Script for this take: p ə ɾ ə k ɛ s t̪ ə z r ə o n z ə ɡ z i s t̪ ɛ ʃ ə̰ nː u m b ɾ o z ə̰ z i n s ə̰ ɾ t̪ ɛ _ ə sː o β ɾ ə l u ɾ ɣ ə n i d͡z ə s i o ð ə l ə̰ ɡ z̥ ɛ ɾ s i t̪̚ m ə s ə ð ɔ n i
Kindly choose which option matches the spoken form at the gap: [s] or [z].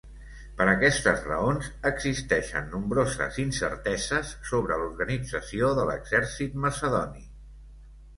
z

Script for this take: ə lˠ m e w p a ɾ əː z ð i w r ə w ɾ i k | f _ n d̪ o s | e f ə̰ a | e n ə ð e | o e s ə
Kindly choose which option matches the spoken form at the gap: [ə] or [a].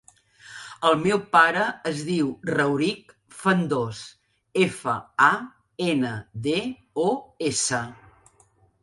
ə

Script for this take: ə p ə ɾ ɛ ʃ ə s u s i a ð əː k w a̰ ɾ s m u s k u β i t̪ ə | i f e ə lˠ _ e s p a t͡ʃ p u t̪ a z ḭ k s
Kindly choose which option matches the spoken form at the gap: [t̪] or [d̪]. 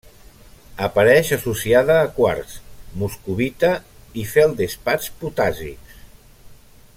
d̪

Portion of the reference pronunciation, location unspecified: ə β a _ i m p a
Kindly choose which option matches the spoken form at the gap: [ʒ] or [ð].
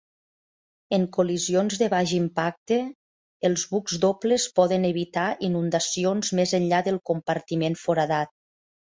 ʒ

